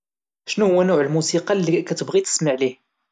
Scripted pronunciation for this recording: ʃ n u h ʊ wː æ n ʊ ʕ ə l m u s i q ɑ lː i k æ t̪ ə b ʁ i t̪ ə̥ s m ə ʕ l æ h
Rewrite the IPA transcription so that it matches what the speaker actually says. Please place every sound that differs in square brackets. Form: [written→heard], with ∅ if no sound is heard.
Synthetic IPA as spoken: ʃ n u h ʊ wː æ n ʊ ʕ ə l m u s i q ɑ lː i k æ t̪ ə b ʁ i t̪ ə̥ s m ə ʕ l [æ→i] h